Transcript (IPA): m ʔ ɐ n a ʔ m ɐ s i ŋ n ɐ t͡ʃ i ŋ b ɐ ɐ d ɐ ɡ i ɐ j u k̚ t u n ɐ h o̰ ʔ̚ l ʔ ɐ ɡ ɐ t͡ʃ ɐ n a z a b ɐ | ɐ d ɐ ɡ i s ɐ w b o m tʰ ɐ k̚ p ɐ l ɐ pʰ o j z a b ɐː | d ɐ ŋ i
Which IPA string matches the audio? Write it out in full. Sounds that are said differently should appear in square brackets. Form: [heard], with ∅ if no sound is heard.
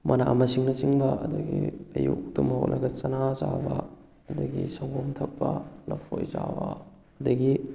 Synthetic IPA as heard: m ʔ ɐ n a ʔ m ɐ s i ŋ n ɐ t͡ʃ i ŋ b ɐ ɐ d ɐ ɡ i ɐ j u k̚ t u [m] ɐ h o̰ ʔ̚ l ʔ ɐ ɡ ɐ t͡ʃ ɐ n a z a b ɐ | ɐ d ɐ ɡ i s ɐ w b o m tʰ ɐ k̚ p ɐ l ɐ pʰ o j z a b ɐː | d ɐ [ɡ] i